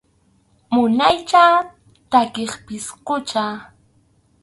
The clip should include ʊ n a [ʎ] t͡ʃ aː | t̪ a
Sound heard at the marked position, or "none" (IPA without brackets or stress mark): j